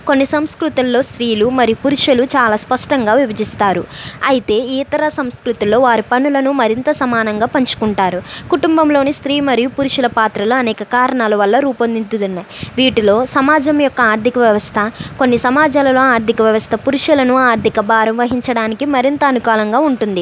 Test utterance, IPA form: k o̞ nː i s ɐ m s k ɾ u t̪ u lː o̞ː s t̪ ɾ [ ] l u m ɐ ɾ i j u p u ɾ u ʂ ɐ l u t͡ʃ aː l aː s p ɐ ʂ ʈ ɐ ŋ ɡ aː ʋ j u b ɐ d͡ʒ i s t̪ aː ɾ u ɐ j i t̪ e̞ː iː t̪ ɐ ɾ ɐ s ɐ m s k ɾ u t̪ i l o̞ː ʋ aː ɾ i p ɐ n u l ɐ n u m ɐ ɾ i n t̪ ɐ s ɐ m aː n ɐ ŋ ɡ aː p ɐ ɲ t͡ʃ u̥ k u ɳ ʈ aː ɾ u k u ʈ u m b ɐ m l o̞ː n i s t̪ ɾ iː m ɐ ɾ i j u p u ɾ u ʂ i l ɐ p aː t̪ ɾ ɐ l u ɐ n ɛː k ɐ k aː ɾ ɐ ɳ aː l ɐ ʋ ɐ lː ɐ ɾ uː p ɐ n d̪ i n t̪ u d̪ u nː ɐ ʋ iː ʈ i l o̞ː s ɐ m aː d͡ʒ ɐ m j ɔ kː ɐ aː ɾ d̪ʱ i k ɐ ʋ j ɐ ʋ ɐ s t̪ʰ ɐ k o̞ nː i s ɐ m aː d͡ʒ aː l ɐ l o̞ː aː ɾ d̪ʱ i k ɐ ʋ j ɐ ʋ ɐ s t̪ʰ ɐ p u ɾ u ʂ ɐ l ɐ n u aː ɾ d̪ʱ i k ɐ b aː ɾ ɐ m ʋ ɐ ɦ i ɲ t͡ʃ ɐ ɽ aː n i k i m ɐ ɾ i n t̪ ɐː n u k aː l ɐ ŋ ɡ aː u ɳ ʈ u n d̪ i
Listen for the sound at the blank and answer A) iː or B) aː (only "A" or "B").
A